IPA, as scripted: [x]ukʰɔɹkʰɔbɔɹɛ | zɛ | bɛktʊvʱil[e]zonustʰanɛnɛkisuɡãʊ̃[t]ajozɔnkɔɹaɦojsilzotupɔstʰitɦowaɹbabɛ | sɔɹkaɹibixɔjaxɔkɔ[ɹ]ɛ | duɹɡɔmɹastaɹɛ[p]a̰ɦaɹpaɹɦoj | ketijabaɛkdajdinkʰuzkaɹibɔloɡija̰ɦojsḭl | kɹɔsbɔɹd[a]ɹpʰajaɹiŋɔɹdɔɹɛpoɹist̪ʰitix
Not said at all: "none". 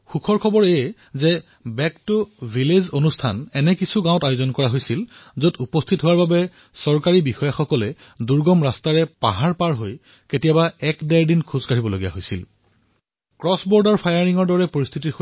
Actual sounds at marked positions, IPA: x, e, t, l, p, a

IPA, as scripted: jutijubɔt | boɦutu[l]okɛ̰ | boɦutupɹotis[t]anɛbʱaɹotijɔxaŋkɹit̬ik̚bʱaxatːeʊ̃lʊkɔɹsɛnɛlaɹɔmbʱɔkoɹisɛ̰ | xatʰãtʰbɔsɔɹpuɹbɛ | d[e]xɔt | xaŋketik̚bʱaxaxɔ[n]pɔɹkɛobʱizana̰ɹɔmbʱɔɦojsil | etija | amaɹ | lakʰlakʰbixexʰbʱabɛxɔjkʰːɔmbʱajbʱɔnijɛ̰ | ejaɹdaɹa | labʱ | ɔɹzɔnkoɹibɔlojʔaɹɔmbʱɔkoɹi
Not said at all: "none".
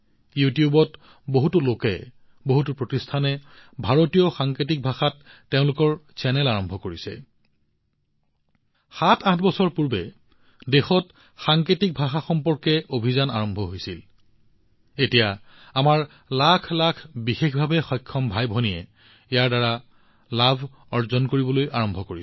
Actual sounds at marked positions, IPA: l, tʰ, e, m

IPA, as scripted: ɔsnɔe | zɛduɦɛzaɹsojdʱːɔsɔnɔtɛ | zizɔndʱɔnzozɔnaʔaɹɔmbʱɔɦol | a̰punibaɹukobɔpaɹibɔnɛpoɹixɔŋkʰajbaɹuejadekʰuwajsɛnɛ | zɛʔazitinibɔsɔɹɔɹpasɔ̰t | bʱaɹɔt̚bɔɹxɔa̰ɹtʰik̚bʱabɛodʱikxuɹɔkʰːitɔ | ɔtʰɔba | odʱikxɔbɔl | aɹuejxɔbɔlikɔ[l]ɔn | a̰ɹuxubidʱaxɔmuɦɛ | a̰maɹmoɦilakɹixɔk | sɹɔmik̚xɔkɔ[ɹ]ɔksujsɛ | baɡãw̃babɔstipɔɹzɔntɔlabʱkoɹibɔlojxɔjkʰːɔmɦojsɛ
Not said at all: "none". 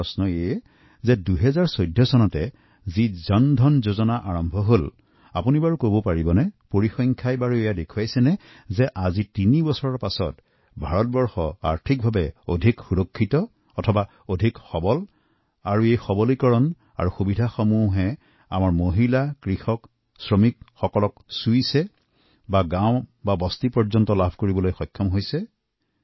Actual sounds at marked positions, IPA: ɹ, l

